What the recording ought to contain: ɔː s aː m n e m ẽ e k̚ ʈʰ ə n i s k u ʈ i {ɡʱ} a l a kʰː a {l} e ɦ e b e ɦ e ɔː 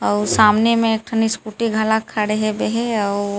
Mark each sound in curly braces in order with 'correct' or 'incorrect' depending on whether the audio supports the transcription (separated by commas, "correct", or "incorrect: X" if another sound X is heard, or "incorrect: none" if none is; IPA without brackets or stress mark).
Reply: correct, incorrect: ɽ